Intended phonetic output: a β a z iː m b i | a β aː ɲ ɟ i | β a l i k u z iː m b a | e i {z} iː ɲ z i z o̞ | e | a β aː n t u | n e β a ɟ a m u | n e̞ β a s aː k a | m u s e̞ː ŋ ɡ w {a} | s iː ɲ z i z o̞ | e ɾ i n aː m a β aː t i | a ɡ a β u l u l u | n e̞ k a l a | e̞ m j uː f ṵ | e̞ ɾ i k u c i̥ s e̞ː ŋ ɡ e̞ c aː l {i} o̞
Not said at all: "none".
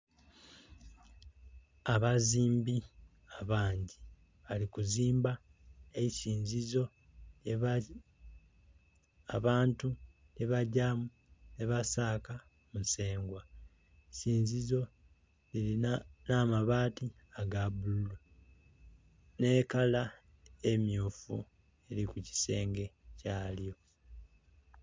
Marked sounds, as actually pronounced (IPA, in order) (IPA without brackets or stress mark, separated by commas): s, a, j